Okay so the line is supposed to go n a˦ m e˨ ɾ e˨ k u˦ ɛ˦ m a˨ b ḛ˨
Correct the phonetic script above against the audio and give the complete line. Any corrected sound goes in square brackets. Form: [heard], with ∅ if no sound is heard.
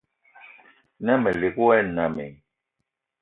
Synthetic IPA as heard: n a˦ m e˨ [l] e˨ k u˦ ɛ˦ [n] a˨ [m] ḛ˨